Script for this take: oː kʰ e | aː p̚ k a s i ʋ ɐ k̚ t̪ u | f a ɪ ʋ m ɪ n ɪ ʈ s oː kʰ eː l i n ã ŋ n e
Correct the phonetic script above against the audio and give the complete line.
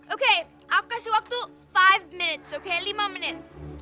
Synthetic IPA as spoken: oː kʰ e | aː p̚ k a s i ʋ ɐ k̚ t̪ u | f a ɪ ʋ m ɪ n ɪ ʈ s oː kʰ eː l i m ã m n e